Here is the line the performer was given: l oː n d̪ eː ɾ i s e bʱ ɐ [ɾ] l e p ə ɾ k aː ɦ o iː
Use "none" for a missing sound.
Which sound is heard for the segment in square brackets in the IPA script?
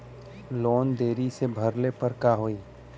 ɾ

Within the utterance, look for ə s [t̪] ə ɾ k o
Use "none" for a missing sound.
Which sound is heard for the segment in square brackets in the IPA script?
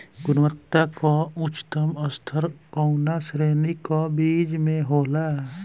t̪ʰ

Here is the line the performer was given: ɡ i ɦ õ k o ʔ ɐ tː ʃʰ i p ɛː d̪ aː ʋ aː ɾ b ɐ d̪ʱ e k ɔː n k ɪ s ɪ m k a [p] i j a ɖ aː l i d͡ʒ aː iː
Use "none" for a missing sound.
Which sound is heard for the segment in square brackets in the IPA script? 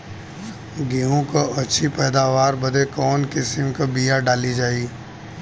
b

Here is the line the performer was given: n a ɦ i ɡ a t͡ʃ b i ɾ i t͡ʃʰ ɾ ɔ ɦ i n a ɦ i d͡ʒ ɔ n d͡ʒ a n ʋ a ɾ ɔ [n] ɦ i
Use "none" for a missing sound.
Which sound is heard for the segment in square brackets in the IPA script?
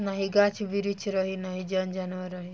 none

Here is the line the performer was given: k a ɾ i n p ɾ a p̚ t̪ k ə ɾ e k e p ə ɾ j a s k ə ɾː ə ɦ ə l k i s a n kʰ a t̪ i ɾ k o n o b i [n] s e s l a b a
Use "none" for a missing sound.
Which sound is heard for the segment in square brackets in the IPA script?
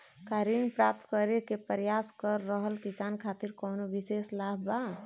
none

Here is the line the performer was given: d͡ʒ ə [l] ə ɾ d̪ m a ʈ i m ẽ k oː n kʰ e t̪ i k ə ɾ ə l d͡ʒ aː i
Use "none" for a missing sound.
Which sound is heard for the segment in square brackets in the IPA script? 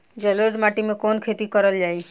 l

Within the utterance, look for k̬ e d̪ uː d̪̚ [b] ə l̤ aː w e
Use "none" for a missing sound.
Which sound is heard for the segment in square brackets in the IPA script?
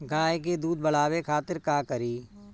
b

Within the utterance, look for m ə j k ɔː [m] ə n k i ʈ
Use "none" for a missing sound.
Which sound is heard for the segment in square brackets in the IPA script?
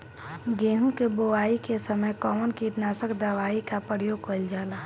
m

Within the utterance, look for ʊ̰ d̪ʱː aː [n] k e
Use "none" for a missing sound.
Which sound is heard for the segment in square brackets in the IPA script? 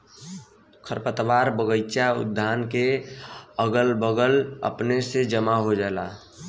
n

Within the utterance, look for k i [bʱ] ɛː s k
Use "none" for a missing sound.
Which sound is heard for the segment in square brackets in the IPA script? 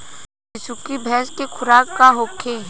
bʱ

